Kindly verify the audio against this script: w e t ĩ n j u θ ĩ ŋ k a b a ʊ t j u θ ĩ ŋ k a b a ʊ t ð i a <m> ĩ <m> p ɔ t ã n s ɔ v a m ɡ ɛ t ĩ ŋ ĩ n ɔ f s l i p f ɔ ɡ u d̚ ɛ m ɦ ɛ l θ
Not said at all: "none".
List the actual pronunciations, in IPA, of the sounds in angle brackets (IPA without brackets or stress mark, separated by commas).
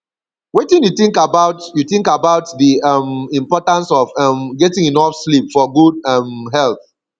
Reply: m, m